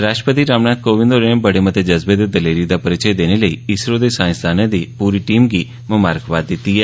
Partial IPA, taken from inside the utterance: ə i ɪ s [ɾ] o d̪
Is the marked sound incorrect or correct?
correct